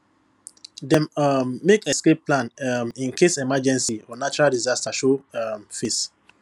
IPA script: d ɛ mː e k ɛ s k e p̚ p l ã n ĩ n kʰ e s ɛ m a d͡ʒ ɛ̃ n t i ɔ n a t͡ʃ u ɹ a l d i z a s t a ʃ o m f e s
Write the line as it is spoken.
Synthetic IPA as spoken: d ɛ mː e k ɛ s k e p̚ p l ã n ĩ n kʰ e s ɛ m a d͡ʒ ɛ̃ n s i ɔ n a t͡ʃ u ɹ a l d i z a s t a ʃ o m f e s